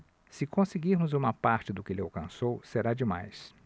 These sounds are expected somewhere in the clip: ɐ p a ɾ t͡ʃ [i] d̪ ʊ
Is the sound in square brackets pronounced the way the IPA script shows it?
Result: no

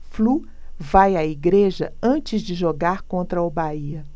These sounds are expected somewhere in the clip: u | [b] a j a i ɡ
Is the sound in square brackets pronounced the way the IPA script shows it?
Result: no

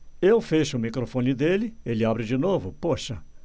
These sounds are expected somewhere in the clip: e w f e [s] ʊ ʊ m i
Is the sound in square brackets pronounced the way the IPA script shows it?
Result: no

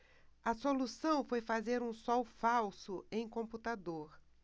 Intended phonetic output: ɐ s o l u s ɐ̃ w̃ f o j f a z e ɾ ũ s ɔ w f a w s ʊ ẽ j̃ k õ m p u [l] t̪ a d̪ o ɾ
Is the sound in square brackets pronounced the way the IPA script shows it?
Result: no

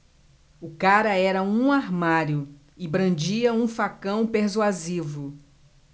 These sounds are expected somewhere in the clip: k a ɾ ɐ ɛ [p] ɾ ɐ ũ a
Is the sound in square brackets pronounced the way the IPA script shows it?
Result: no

